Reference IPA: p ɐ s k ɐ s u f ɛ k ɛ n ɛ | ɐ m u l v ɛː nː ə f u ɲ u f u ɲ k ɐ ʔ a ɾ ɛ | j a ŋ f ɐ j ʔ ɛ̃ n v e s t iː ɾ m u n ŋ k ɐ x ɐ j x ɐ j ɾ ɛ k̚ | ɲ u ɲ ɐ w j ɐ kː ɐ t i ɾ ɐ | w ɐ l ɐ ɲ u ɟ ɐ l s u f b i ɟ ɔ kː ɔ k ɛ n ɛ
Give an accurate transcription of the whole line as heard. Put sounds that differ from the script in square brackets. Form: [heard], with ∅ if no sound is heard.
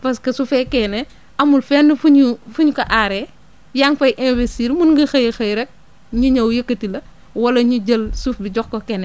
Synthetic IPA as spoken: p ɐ s k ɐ s u f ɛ k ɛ n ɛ | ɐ m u l [f] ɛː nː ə f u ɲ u f u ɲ k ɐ ʔ a ɾ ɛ | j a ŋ f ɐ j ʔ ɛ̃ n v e s t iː ɾ m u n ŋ [ɡ] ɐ x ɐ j x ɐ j ɾ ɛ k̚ | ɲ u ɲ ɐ w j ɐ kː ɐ t i [l] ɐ | w ɐ l ɐ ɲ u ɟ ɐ l s u f b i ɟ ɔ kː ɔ k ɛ n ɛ